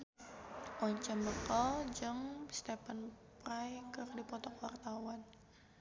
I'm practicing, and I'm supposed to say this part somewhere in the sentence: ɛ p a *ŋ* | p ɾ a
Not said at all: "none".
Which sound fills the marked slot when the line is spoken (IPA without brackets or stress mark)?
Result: n